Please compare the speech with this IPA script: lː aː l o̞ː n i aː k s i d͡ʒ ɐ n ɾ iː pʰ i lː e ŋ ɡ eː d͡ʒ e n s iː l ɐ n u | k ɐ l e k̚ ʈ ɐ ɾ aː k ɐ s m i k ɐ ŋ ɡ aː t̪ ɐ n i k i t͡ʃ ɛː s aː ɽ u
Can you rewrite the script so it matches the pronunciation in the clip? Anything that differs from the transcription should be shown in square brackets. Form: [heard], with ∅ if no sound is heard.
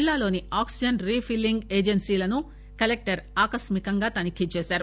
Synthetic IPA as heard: lː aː l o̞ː n i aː k s i d͡ʒ ɐ n ɾ iː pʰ i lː [i] ŋ ɡ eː d͡ʒ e n s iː l ɐ n u | k ɐ l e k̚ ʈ ɐ ɾ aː k ɐ s m i k ɐ ŋ ɡ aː t̪ ɐ n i k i t͡ʃ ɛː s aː [ɾ] u